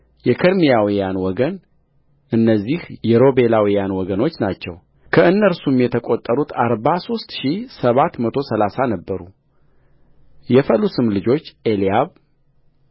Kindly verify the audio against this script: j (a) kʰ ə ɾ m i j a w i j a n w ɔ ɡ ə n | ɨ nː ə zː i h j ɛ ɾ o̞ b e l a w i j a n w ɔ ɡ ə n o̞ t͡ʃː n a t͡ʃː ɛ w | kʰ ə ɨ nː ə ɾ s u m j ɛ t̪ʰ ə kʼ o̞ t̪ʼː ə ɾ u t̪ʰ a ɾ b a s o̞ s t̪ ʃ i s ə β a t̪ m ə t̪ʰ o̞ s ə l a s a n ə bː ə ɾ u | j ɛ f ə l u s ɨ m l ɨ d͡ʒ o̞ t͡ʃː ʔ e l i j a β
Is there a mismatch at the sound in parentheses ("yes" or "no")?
yes